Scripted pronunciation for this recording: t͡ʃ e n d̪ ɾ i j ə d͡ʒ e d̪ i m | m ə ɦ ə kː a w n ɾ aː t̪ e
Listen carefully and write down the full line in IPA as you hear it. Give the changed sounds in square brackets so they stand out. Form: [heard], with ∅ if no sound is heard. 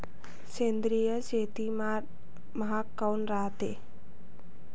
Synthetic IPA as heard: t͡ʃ e n d̪ ɾ i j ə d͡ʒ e [t̪] i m | m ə ɦ [a] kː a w n ɾ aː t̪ e

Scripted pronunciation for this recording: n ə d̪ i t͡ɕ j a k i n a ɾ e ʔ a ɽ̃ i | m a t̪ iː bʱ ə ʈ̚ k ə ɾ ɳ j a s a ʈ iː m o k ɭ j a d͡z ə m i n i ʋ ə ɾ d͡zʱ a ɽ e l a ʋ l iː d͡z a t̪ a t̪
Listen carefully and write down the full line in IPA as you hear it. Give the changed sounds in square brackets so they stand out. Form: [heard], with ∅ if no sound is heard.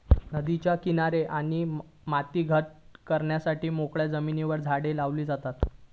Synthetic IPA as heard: n ə d̪ i t͡ɕ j a k i n a ɾ e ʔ a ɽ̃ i | m a t̪ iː [ɡʱ] ə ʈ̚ k ə ɾ ɳ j a s a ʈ iː m o k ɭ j a d͡z ə m i n i ʋ ə ɾ d͡zʱ a ɽ e l a ʋ l iː d͡z a t̪ a t̪

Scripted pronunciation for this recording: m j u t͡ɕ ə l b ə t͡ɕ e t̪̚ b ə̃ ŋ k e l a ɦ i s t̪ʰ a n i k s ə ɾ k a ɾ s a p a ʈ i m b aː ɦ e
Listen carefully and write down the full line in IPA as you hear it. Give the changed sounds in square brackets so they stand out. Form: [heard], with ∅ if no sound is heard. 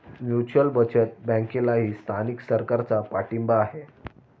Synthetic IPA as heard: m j u t͡ɕ ə l b ə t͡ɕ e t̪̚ b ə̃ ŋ k e l a ɦ [iː] s t̪ʰ a n i k s ə ɾ k a ɾ [t͡s] a p a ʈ i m b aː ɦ e

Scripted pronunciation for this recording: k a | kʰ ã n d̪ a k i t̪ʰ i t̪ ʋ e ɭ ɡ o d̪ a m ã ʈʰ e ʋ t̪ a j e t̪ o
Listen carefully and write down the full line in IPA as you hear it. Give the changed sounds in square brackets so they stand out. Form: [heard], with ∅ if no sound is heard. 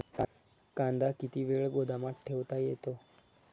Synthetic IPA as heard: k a | [k] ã n d̪ a k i [t̪] i [∅] ʋ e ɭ ɡ o d̪ a m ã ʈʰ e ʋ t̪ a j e t̪ o

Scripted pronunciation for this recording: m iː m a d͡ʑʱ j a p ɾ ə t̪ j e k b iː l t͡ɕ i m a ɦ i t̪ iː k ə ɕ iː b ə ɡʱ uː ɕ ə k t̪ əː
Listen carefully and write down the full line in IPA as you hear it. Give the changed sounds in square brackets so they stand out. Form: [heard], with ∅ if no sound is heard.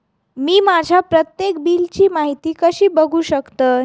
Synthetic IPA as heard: m iː m a d͡ʑʱ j a p ɾ ə t̪ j e k b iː l t͡ɕ [iː] m a ɦ i t̪ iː k ə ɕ iː b ə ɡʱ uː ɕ ə k t̪ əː

